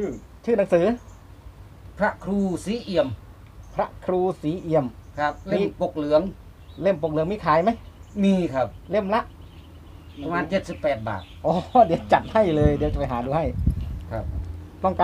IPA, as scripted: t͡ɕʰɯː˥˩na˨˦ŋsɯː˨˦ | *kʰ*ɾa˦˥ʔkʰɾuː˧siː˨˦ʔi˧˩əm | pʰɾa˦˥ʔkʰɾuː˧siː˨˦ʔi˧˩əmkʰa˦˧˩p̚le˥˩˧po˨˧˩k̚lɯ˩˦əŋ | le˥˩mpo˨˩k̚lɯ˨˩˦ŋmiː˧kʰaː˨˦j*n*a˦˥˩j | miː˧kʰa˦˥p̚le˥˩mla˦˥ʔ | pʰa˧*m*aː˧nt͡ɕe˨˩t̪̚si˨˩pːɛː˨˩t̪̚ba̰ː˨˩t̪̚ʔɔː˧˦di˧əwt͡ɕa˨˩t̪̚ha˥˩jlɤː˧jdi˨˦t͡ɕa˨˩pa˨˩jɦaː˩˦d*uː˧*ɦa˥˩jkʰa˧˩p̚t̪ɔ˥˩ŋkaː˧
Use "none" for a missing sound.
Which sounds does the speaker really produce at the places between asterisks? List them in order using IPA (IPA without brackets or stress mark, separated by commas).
pʰ, m, m, uː˧